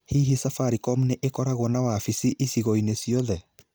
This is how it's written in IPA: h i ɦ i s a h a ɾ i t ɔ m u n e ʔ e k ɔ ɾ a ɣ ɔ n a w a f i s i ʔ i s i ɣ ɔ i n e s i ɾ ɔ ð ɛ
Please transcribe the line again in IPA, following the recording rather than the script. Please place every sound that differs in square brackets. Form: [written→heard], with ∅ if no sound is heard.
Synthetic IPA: h i ɦ i s a [h→f] a ɾ i [t→k] ɔ m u n e ʔ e k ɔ ɾ a ɣ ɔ n a w a f i s i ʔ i s i ɣ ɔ i n e s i [ɾ→∅] ɔ ð ɛ

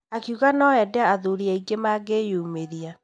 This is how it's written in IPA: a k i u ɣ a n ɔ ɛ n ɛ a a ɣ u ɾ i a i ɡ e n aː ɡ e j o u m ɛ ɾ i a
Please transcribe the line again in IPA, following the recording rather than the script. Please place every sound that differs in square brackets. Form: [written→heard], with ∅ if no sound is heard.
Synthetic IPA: a k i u ɣ a n ɔ ɛ [n→d] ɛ a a [ɣ→ð] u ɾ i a i ɡ e [n→m] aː ɡ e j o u m [ɛ→e] ɾ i a

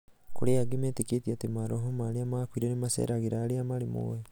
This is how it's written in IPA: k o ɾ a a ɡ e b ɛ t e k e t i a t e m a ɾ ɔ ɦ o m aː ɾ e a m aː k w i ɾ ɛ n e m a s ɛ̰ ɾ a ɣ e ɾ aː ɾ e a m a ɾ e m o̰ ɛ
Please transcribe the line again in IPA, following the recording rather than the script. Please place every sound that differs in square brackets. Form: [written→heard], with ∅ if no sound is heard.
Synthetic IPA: k o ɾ [a→e] a ɡ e [b→m] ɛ t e k e t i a t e m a ɾ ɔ ɦ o m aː ɾ e a m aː k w i ɾ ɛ n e m a s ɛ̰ ɾ a ɣ e ɾ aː ɾ e a m a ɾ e m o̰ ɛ

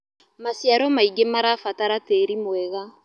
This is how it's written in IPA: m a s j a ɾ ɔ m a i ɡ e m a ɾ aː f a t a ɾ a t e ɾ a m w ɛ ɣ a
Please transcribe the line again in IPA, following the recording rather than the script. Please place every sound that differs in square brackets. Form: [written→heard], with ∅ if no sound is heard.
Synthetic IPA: m a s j a ɾ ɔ m a i ɡ e m a ɾ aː f a t a ɾ a t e ɾ [a→i] m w ɛ ɣ a

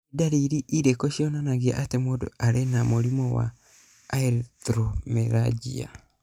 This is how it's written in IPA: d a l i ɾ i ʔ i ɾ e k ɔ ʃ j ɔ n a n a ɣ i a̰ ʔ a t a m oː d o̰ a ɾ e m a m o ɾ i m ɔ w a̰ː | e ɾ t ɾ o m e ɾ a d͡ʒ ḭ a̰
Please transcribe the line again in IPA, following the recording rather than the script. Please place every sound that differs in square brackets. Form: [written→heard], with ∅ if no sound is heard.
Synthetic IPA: d a [l→ɾ] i ɾ i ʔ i ɾ e k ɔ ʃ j ɔ n a n a ɣ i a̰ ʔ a t [a→e] m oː d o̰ a ɾ e [m→n] a m o ɾ i m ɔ w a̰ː | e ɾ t ɾ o m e ɾ a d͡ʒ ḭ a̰

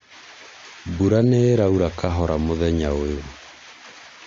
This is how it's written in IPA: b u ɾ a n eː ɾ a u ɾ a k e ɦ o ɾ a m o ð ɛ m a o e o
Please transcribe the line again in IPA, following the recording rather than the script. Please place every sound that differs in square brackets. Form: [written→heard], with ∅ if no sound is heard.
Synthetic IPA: b u ɾ a n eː ɾ a u ɾ a k [e→a] ɦ [o→ɔ] ɾ a m o ð ɛ [m→ɲ] a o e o

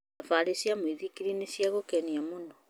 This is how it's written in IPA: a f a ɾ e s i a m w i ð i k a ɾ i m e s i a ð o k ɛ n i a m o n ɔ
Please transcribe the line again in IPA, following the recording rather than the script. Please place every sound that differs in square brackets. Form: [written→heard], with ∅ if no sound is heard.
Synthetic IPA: a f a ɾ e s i a m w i ð i k [a→i] ɾ i [m→n] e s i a [ð→ɣ] o k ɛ n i a m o n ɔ

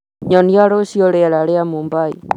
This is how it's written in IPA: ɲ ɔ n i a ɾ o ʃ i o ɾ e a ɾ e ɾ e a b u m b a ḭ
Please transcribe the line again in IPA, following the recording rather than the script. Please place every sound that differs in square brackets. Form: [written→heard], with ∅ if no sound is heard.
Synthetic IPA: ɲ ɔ n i a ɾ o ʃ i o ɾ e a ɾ [e→a] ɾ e a [b→m] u m b a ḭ

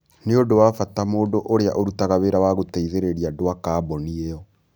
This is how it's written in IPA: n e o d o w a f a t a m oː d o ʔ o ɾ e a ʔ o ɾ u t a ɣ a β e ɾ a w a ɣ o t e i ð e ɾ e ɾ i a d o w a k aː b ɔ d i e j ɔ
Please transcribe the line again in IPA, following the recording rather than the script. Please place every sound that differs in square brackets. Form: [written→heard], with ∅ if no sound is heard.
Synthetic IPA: n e o d o w a f a t a m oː d o ʔ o ɾ e a ʔ o ɾ u t a ɣ a β e ɾ a w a ɣ o t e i ð e ɾ e ɾ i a d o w a k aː b ɔ [d→n] i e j ɔ

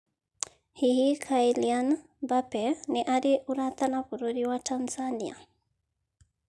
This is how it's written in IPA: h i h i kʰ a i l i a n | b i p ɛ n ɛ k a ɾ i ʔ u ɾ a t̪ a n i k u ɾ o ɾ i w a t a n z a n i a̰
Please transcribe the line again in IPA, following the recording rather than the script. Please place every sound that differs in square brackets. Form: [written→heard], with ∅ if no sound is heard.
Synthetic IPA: h i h i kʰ a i l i a n | b [i→a] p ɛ n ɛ [k→ʔ] a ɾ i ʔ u ɾ a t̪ a n [i→a] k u ɾ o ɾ i w a t a n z a n i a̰

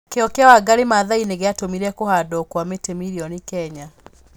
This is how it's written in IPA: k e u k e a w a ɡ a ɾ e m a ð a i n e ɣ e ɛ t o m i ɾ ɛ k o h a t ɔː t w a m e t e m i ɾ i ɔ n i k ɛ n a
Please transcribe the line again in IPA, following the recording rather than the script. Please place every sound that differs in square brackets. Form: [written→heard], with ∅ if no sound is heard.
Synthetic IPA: k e [u→ɔ] k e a w a ɡ a ɾ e m a ð a i n e ɣ e [ɛ→a] t o m i ɾ ɛ k o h a [t→d] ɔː [t→k] w a m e t e m i ɾ i ɔ n i k ɛ [n→ɲ] a

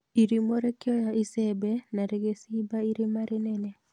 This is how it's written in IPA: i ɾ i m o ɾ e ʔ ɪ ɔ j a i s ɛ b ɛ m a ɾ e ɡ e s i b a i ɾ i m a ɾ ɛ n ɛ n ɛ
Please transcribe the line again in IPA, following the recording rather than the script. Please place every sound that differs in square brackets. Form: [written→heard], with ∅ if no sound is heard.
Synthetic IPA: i ɾ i m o ɾ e [ʔ→k] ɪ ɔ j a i s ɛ b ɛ [m→n] a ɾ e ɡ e s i b a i ɾ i m a ɾ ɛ n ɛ n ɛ

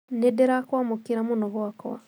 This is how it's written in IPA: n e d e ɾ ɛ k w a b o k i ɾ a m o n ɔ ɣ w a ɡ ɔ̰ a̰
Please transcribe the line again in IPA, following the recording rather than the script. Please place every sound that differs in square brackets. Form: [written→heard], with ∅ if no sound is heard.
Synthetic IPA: n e d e ɾ [ɛ→a] k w a [b→m] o k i ɾ a m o n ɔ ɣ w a [ɡ→k] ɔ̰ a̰

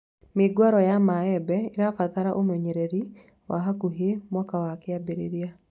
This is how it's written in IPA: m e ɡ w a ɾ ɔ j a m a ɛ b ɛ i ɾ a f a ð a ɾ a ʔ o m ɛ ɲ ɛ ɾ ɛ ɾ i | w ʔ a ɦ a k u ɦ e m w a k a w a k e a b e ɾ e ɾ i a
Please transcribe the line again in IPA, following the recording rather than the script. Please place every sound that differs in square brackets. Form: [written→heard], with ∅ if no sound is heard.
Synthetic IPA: m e ɡ w a ɾ ɔ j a m a ɛ b ɛ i ɾ a f a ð a ɾ a ʔ o m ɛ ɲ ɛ ɾ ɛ ɾ i | w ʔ a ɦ a k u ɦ e m w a k a w a k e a b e ɾ e ɾ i a

